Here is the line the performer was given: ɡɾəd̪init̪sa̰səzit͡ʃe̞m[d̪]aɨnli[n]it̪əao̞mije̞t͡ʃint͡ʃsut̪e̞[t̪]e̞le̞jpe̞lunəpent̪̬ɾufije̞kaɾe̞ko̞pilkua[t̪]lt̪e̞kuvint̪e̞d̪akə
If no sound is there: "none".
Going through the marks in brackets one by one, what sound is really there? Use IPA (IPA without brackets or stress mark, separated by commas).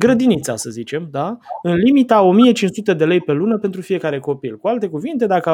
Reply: d̪, m, d̪, none